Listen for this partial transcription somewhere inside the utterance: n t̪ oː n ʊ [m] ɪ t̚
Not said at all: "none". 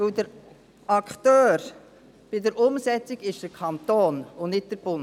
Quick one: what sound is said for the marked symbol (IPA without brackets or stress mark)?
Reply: n